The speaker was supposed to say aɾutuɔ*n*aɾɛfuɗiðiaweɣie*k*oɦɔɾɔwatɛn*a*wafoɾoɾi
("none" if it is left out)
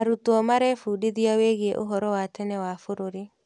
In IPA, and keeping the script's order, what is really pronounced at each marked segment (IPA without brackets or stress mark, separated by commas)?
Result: m, ʔ, ɛ